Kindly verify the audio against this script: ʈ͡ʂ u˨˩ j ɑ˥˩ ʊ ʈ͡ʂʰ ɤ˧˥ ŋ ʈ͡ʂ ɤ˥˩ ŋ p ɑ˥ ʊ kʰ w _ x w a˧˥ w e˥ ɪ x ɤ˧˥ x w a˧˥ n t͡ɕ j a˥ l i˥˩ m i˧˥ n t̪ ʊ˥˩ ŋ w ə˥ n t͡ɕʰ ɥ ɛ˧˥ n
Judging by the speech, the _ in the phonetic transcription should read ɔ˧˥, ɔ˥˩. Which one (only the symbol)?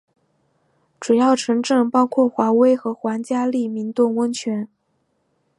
ɔ˥˩